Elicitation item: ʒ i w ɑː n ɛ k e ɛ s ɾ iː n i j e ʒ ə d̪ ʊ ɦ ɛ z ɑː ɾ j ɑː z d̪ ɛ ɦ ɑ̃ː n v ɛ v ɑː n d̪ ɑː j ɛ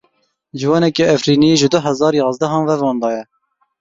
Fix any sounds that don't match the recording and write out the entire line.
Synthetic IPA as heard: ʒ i w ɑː n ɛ k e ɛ f ɾ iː n i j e ʒ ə d̪ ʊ ɦ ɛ z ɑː ɾ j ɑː z d̪ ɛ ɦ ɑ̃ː n v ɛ v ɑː n d̪ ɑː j ɛ